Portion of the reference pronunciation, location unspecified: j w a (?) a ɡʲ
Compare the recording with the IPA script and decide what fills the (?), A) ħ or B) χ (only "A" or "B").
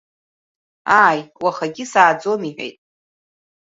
B